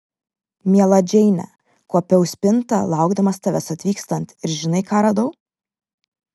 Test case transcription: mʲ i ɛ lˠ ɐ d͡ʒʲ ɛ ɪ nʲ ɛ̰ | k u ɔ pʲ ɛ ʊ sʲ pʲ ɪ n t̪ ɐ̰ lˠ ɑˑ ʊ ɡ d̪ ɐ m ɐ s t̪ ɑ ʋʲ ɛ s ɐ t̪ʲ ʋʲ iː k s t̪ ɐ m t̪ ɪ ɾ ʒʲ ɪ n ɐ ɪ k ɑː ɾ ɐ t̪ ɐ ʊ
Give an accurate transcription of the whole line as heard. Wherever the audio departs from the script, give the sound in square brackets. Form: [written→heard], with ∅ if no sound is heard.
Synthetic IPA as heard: mʲ i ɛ lˠ ɐ d͡ʒʲ ɛ ɪ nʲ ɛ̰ | k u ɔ pʲ ɛ ʊ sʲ pʲ ɪ n t̪ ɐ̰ lˠ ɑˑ ʊ ɡ d̪ ɐ m ɐ s t̪ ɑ ʋʲ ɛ s ɐ t̪ʲ ʋʲ iː k s t̪ ɐ [m→n] t̪ ɪ ɾ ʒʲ ɪ n ɐ ɪ k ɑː ɾ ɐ [t̪→d̪] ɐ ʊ